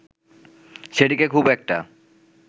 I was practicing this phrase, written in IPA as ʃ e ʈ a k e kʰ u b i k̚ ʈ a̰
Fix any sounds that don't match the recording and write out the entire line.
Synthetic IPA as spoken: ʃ e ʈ i k e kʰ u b ɛ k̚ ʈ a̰